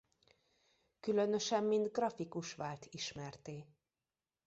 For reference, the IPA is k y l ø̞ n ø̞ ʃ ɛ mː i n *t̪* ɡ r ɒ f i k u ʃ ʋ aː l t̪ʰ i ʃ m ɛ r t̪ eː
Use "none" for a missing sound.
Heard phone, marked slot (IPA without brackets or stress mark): d̪